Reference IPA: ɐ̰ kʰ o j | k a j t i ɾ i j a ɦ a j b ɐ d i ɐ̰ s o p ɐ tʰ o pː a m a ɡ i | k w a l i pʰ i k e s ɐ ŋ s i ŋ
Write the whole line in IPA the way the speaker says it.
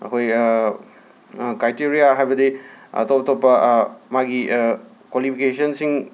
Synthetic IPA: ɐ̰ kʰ o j | k a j t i ɾ i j a ɦ a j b ɐ d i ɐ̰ t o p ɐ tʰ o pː ɐ m a ɡ i | k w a l i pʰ i k e s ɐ n s i ŋ